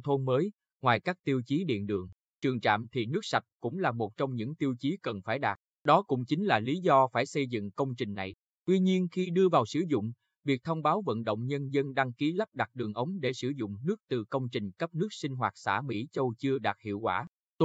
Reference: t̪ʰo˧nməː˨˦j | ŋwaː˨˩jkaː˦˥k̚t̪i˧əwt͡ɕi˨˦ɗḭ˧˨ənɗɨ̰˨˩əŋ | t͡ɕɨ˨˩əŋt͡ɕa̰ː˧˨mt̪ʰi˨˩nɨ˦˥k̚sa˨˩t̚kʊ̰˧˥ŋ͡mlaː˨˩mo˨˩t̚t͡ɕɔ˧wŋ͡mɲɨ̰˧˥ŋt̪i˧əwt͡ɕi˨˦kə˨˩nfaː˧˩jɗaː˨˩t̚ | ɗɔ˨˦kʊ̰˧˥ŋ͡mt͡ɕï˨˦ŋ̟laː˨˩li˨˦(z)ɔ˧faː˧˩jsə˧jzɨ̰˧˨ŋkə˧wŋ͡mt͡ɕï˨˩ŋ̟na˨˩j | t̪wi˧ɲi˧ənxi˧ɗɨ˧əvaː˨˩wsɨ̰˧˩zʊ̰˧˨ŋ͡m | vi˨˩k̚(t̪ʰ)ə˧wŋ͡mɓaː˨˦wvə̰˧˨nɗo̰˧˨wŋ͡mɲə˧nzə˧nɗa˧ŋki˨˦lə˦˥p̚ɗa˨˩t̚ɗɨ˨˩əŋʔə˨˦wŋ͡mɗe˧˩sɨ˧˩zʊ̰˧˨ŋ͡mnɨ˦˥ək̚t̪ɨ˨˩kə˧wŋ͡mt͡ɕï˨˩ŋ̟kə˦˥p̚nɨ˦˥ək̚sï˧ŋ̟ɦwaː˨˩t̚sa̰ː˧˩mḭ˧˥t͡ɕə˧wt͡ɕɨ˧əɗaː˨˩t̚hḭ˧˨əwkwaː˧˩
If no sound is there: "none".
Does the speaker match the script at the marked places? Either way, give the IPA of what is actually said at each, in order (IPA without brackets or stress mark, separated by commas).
z, t̪ʰ